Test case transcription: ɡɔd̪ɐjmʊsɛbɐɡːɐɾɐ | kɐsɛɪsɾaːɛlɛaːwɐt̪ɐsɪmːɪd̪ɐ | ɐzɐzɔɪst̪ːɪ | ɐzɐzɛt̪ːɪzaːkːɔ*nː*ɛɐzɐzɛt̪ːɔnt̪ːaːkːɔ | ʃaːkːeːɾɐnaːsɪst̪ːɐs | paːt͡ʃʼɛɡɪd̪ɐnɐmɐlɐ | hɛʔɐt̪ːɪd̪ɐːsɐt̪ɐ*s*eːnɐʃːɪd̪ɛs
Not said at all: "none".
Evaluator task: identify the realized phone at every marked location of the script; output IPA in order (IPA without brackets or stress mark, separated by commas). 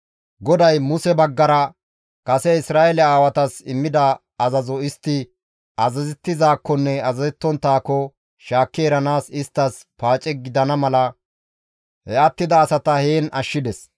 nː, h